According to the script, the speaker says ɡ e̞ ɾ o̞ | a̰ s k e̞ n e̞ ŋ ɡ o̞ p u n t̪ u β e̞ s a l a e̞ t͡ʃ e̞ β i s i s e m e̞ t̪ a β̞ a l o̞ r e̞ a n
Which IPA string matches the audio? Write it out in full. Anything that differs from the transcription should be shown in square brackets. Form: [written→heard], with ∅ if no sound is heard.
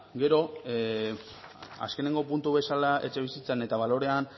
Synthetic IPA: ɡ e̞ ɾ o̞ | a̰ s k e̞ n e̞ ŋ ɡ o̞ p u n t̪ u β e̞ s a l a e̞ t͡ʃ e̞ β i s i [s→t͡s] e [m→n] e̞ t̪ a β̞ a l o̞ [r→ɾ] e̞ a n

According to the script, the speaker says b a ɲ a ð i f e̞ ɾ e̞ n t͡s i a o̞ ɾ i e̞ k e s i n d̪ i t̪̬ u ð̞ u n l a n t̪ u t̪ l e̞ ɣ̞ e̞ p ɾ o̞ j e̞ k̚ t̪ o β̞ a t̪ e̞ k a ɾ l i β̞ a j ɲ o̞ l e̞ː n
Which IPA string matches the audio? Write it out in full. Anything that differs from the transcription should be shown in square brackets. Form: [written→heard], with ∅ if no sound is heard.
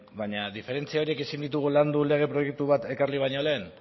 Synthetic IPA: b a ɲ a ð i f e̞ ɾ e̞ n t͡s i a o̞ ɾ i e̞ k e s i n d̪ i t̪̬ u [ð̞→ɣ̞] u [n→∅] l a n [t̪→d̪] u [t̪→∅] l e̞ ɣ̞ e̞ p ɾ o̞ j e̞ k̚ t̪ [o→u] β̞ a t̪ e̞ k a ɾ l i β̞ a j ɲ o̞ l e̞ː n

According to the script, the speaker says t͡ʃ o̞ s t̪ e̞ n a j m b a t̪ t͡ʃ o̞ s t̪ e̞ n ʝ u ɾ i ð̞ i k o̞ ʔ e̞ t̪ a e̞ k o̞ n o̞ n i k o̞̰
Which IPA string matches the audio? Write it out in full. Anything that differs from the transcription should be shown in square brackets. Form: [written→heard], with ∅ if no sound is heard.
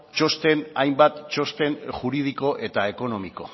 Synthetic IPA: t͡ʃ o̞ s t̪ e̞ n a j m b a t̪ t͡ʃ o̞ s t̪ e̞ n ʝ u ɾ i ð̞ i k o̞ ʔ e̞ t̪ a e̞ k o̞ n o̞ [n→m] i k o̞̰

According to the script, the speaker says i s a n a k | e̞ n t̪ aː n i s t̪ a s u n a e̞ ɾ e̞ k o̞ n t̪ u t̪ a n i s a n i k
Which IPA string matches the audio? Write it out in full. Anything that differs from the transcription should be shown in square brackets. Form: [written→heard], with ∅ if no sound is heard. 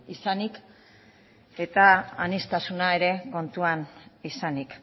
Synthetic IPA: i s a n [a→i] k | e̞ [n→∅] t̪ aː n i s t̪ a s u n a e̞ ɾ e̞ k o̞ n t̪ u [t̪→∅] a n i s a n i k

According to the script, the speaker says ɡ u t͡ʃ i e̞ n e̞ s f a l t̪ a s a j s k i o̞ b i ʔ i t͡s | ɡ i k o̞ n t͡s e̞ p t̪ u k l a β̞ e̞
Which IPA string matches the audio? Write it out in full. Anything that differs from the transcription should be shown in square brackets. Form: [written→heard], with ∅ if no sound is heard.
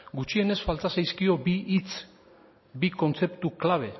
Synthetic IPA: ɡ u t͡ʃ i e̞ n e̞ s f a l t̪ a s a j s k i o̞ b i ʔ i t͡s | [ɡ→b] i k o̞ n t͡s e̞ p t̪ u k l a β̞ e̞

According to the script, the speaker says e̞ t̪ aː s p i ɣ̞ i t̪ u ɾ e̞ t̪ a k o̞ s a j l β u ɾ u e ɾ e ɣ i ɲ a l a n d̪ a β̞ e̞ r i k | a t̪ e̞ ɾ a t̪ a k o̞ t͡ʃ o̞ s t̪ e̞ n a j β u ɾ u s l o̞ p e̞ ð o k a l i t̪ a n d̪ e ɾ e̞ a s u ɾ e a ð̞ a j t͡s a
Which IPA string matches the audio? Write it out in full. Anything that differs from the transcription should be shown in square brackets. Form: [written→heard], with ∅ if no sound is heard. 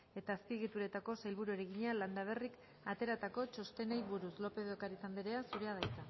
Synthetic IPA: e̞ t̪ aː s p i ɣ̞ i t̪ u ɾ e̞ t̪ a k o̞ s a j l β u ɾ u e ɾ e ɣ i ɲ a l a n d̪ a β̞ e̞ r i k | a t̪ e̞ ɾ a t̪ a k o̞ t͡ʃ o̞ s t̪ e̞ n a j β u ɾ u s l o̞ p e̞ ð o k a [l→ɾ] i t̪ a n d̪ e ɾ e̞ a s u ɾ e a ð̞ a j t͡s a

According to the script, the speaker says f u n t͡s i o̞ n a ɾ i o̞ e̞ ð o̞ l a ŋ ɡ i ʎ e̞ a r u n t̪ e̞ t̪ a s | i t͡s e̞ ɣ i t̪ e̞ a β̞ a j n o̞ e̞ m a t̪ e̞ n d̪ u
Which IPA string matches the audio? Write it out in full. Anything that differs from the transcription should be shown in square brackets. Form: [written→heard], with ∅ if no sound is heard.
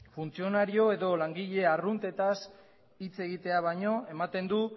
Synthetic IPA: f u n t͡s i o̞ n a ɾ i o̞ e̞ ð o̞ l a ŋ ɡ i ʎ e̞ a r u n t̪ e̞ t̪ a s | i t͡s e̞ ɣ i t̪ e̞ a β̞ a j [n→ɲ] o̞ e̞ m a t̪ e̞ n d̪ u

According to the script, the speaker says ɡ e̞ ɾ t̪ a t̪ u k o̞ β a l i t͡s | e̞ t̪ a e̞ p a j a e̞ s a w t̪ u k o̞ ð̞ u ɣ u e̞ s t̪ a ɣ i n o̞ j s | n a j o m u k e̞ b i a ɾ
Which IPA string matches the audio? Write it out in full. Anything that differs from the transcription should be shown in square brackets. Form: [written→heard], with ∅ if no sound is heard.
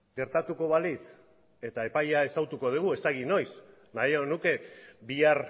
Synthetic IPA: ɡ e̞ ɾ t̪ a t̪ u k o̞ β a l i t͡s | e̞ t̪ a e̞ p a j a e̞ s a w t̪ u k o̞ ð̞ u ɣ u e̞ s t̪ a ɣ i n o̞ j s | n a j o [m→n] u k e̞ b i a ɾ

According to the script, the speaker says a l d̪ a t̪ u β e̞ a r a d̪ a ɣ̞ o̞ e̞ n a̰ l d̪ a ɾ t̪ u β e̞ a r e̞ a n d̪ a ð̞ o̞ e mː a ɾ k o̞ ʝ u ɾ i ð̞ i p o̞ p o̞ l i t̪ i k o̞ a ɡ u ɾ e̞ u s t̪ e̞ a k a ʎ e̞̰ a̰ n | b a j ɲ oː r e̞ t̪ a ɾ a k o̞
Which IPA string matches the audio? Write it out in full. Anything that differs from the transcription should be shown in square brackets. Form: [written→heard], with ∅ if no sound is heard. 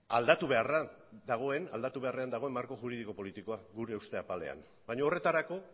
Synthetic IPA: a l d̪ a t̪ u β e̞ a r a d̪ a ɣ̞ o̞ e̞ n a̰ l d̪ a [ɾ→∅] t̪ u β e̞ a r e̞ a n d̪ a [ð̞→ɣ̞] o̞ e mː a ɾ k o̞ ʝ u ɾ i ð̞ i [p→k] o̞ p o̞ l i t̪ i k o̞ a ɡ u ɾ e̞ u s t̪ e̞ a [k→p] a [ʎ→l] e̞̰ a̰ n | b a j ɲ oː r e̞ t̪ a ɾ a k o̞

